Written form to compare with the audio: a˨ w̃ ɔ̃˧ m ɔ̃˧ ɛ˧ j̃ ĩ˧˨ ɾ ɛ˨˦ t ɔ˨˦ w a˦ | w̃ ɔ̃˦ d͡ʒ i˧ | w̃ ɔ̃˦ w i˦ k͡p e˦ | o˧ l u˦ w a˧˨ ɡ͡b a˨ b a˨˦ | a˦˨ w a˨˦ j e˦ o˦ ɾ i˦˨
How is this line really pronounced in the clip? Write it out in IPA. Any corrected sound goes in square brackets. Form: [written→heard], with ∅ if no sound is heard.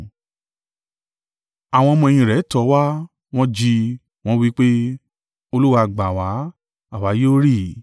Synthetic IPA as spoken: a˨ w̃ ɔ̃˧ m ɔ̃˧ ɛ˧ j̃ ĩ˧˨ ɾ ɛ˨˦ t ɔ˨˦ w a˦ | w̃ ɔ̃˦ d͡ʒ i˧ | w̃ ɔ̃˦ w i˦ k͡p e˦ | o˧ l u˦ w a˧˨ ɡ͡b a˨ [b→w] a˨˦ | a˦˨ w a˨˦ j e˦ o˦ ɾ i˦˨